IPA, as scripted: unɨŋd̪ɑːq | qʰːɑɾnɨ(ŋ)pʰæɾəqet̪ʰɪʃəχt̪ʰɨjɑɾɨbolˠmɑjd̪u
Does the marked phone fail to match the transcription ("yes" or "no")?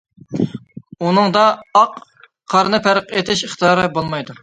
yes